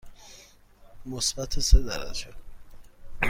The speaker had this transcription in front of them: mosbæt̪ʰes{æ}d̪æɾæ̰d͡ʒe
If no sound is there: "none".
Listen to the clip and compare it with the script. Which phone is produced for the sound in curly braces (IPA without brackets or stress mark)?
e